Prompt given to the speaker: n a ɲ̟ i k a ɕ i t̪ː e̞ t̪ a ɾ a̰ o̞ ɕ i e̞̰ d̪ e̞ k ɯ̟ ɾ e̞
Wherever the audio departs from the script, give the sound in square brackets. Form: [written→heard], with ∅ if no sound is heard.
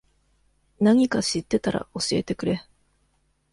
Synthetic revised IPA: n a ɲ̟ i k a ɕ i t̪ː e̞ t̪ a ɾ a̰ o̞ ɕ i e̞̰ [d̪→t̪] e̞ k ɯ̟ ɾ e̞